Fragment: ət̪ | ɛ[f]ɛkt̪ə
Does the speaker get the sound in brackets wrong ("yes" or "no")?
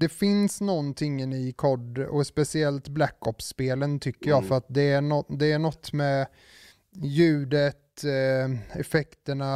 no